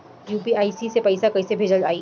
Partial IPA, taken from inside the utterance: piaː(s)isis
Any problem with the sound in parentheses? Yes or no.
yes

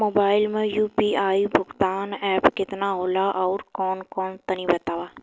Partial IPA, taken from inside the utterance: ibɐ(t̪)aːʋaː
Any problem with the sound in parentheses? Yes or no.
no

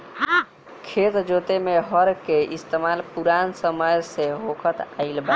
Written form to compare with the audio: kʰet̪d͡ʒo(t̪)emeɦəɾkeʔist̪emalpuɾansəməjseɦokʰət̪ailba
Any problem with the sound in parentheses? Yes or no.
no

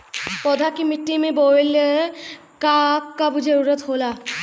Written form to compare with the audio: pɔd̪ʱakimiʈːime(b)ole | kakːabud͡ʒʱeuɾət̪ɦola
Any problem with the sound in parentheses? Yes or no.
no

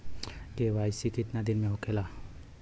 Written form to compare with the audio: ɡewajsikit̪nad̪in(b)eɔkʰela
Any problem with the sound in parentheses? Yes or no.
yes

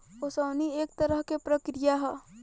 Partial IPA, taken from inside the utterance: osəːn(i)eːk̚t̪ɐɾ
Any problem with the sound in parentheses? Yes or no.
no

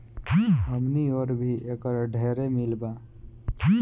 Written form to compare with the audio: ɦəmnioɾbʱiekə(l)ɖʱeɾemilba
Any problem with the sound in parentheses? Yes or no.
yes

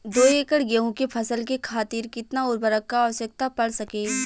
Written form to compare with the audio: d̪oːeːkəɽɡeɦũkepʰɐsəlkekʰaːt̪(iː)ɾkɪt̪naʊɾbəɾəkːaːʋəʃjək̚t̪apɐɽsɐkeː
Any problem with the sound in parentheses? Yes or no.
no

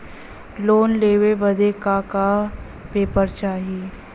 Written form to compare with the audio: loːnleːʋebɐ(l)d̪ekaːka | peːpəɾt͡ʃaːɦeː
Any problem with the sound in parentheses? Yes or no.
yes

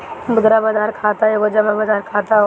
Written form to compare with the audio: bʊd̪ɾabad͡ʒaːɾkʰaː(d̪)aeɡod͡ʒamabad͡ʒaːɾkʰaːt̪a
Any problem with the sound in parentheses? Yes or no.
yes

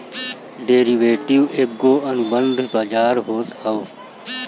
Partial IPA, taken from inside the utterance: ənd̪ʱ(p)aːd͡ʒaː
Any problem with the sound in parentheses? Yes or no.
yes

